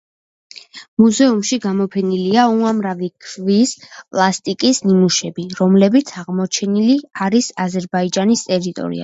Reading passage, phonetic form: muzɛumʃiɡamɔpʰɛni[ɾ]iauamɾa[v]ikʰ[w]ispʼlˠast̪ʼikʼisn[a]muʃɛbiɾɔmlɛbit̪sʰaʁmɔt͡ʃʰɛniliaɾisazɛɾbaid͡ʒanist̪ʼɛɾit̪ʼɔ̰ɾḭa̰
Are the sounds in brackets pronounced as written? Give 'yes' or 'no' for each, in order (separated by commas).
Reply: no, yes, no, no